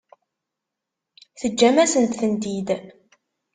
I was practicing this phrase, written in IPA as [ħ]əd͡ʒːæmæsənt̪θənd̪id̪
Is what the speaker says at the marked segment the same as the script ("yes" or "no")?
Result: no